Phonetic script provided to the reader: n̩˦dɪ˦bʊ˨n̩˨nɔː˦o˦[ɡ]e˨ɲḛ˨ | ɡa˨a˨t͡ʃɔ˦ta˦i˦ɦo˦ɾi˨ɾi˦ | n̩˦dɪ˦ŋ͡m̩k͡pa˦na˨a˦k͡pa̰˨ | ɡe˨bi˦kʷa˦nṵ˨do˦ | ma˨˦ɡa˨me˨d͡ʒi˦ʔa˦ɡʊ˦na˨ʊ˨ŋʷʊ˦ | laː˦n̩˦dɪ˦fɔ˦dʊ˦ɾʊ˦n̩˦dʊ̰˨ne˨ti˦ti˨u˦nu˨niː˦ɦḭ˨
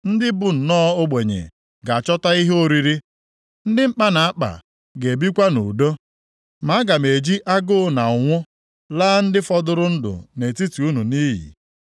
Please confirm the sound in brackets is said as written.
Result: no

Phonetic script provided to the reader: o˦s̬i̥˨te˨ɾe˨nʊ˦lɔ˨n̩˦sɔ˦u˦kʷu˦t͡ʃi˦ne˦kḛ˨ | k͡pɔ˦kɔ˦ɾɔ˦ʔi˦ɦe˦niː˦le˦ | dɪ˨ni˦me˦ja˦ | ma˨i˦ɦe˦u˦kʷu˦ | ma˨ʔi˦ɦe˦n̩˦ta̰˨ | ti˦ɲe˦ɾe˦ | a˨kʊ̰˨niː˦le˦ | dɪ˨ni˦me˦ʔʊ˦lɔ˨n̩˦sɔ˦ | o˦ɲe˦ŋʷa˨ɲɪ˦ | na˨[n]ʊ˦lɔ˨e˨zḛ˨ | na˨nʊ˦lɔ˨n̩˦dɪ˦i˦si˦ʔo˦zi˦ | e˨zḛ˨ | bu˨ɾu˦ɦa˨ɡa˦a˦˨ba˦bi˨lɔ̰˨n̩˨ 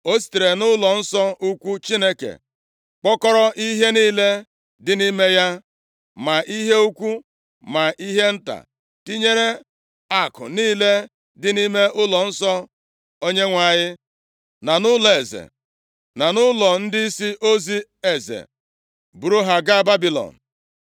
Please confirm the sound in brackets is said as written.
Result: yes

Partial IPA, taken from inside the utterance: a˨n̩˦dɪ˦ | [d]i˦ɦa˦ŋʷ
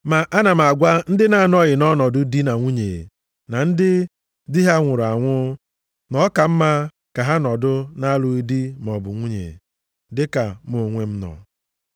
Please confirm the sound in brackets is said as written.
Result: yes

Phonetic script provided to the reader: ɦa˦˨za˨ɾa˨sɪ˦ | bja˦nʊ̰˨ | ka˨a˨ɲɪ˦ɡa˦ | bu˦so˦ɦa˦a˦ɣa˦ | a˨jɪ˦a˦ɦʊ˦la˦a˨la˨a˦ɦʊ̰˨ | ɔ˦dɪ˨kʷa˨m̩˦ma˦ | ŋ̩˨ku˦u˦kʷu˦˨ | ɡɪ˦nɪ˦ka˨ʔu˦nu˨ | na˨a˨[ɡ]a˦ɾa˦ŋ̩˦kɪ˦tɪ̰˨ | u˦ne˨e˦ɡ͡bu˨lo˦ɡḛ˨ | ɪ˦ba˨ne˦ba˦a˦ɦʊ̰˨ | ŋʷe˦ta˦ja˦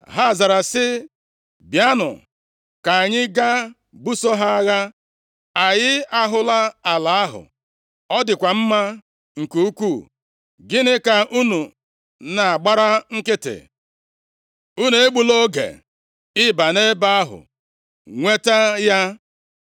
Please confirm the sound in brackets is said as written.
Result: no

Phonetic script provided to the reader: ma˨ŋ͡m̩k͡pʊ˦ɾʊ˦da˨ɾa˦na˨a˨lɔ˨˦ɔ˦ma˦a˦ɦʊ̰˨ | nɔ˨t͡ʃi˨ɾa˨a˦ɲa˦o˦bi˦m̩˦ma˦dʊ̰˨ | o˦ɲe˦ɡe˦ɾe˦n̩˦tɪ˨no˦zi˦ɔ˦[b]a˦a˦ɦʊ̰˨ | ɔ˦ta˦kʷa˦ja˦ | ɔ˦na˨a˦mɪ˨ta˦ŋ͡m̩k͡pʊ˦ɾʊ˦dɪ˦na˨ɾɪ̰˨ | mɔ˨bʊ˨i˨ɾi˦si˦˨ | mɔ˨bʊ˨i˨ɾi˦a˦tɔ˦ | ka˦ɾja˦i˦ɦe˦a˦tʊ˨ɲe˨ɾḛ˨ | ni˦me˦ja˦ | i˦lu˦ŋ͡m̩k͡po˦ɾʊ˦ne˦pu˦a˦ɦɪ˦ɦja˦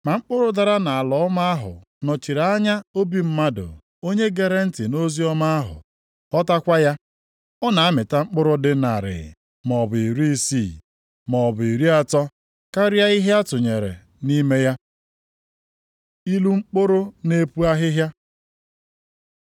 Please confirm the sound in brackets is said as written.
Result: no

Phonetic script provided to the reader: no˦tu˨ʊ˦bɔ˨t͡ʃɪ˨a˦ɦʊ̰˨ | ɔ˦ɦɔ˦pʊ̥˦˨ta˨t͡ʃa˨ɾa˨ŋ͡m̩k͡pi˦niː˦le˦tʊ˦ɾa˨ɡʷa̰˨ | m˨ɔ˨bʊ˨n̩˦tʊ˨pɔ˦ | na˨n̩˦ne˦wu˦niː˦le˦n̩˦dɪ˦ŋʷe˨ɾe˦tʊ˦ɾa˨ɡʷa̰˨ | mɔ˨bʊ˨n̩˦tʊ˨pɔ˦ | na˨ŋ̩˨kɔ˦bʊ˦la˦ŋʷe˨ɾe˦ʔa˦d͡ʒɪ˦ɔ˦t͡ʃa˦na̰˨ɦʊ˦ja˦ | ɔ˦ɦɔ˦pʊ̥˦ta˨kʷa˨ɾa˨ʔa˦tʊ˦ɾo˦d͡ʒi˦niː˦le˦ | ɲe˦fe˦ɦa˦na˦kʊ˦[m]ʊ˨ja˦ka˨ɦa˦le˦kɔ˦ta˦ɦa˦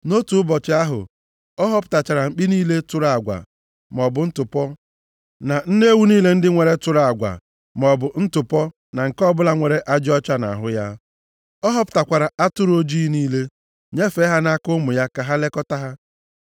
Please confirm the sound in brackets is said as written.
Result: yes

